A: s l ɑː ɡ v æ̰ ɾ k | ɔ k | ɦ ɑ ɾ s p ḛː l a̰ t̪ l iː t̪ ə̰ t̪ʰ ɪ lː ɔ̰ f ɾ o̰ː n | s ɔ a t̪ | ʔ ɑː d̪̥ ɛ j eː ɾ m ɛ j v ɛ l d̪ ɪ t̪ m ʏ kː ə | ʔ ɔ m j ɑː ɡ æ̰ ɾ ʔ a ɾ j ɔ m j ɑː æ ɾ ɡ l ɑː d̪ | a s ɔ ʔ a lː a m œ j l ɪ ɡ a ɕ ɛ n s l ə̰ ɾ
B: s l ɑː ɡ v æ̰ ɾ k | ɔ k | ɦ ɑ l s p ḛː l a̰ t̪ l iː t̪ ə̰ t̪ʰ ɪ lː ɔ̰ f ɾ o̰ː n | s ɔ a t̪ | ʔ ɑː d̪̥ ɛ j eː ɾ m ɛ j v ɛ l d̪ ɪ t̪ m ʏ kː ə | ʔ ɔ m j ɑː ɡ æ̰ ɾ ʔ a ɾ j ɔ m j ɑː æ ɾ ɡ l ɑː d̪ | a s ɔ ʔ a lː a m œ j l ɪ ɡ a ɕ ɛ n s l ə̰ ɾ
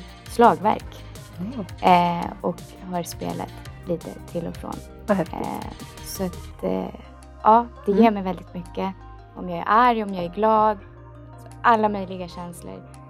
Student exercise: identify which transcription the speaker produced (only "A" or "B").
A